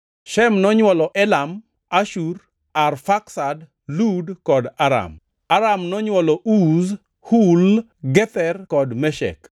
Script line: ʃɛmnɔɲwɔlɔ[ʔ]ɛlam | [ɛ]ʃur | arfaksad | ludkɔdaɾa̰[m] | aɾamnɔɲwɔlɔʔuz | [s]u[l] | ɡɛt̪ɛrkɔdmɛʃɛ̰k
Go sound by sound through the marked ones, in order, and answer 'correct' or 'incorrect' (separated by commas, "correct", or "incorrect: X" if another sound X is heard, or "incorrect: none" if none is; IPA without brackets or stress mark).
correct, incorrect: a, correct, incorrect: h, correct